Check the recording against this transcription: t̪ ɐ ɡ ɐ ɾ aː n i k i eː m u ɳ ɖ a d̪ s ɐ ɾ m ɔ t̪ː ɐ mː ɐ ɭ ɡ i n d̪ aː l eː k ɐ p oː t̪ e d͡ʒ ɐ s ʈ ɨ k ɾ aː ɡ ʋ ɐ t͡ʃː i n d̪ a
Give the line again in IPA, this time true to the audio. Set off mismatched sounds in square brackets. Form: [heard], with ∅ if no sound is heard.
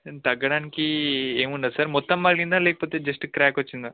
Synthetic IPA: t̪ ɐ ɡ ɐ [ɽ] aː n i k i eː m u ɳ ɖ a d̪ s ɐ ɾ m ɔ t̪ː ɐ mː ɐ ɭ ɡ i n d̪ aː l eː k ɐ p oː t̪ e d͡ʒ ɐ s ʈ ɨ k ɾ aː [k] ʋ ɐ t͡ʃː i n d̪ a